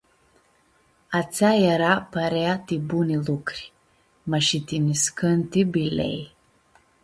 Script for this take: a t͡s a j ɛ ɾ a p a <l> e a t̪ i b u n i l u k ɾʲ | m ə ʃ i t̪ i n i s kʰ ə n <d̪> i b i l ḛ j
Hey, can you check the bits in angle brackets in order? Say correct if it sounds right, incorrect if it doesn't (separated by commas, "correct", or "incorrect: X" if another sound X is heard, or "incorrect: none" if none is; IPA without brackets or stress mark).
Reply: incorrect: ɾ, incorrect: t̪